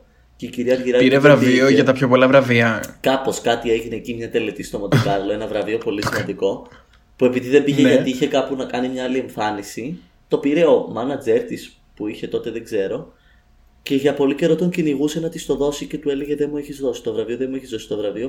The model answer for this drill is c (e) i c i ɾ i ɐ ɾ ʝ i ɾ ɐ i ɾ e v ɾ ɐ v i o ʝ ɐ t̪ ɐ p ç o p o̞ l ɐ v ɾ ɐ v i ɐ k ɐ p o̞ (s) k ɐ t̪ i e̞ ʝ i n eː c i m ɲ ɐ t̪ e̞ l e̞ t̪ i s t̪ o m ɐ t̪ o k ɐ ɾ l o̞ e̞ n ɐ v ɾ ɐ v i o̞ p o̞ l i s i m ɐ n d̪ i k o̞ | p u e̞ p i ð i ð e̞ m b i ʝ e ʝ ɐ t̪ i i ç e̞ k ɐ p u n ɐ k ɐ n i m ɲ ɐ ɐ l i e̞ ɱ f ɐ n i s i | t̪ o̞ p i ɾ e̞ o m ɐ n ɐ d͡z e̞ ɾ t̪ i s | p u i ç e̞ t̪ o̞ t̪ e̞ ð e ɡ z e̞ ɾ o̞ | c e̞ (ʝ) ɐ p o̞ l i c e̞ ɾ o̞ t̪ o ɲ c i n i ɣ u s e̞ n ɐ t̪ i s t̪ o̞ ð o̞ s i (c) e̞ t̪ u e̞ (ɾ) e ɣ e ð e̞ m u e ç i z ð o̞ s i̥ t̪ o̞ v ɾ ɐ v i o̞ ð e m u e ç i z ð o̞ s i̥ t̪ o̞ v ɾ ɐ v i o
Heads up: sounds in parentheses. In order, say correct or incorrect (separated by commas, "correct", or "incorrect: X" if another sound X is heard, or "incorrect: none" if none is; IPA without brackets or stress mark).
correct, correct, correct, correct, incorrect: l